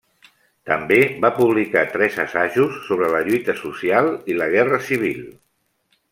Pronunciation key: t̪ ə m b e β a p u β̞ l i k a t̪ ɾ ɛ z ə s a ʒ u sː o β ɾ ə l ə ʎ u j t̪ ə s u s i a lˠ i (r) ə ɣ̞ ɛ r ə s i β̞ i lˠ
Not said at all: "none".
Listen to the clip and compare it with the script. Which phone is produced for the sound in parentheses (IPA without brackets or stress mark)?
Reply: l